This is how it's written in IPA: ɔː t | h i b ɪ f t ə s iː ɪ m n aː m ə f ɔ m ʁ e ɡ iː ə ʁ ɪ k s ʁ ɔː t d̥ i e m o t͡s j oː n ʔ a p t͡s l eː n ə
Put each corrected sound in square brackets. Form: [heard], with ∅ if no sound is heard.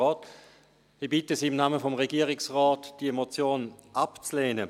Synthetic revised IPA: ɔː t | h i b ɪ [∅] t ə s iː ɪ m n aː m ə f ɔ m ʁ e ɡ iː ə ʁ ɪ k s ʁ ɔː t d̥ i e m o t͡s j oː n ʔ a p t͡s l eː n ə